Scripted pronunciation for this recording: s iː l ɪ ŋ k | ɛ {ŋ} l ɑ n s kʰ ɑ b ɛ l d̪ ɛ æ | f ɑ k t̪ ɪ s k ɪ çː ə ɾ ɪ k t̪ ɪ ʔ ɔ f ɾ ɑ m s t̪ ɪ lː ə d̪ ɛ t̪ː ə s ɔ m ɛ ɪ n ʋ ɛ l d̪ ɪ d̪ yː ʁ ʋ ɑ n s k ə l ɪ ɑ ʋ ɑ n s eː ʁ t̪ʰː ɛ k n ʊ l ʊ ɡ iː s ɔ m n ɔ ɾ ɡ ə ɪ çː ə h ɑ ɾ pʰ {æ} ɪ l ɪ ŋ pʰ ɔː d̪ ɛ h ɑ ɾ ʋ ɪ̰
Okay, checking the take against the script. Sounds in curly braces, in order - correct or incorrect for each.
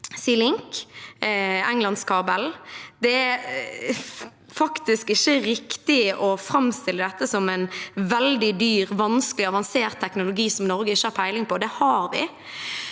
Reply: correct, correct

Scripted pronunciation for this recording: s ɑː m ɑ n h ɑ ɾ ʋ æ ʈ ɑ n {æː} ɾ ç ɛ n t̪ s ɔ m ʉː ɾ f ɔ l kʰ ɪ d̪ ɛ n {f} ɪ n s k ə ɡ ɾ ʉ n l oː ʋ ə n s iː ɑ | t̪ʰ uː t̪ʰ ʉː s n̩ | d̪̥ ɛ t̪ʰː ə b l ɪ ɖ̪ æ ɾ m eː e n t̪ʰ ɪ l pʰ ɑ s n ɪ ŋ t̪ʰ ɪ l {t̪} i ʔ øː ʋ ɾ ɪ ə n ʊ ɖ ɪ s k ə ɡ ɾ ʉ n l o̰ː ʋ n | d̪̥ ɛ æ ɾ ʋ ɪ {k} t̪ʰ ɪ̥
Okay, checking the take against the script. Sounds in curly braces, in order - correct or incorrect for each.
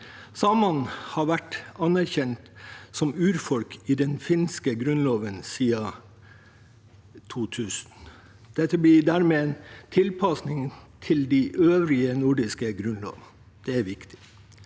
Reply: incorrect, correct, incorrect, correct

